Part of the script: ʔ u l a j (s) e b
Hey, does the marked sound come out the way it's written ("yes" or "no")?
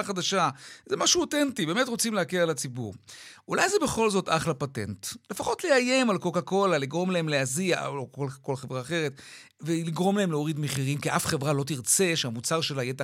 no